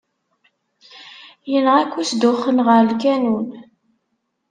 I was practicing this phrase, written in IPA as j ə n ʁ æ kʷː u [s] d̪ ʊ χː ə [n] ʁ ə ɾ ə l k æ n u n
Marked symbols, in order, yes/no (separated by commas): yes, yes